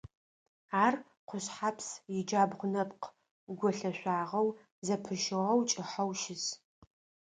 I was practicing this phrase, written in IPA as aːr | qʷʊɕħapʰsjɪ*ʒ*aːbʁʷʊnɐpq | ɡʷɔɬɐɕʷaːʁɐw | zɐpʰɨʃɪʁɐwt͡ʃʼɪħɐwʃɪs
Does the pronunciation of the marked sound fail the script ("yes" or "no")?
yes